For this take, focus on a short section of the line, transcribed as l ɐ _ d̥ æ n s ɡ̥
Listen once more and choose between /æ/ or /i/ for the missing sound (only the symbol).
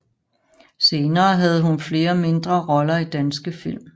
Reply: i